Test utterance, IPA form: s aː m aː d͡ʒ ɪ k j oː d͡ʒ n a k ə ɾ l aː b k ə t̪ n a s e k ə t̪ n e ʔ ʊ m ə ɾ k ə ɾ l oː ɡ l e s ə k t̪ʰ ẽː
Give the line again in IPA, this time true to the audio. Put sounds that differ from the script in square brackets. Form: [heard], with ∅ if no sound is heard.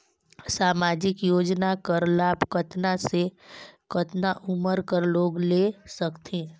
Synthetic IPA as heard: s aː m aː d͡ʒ ɪ k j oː d͡ʒ n a k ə ɾ l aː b k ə t̪ n a s e k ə t̪ n [a] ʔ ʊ m ə ɾ k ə ɾ l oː ɡ l e s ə k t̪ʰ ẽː